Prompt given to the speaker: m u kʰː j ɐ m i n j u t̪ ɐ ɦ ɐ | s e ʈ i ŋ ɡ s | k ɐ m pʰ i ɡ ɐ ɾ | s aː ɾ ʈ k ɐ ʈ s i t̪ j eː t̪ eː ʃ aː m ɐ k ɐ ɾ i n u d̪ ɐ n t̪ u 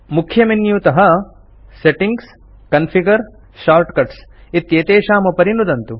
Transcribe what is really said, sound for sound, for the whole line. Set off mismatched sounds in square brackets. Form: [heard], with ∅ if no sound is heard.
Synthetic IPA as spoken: m u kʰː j ɐ m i n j u t̪ ɐ ɦ ɐ | s e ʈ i ŋ ɡ s | k ɐ [n] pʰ i ɡ ɐ ɾ | [ʃ] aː ɾ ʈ k ɐ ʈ s i t̪ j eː t̪ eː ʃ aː m ɐ [p] ɐ ɾ i n u d̪ ɐ n t̪ u